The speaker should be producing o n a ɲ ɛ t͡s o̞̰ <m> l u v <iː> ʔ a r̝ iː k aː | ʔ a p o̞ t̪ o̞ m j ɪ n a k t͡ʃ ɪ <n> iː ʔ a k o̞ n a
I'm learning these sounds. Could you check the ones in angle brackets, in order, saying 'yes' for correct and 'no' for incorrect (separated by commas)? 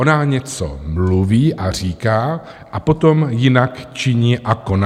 yes, yes, no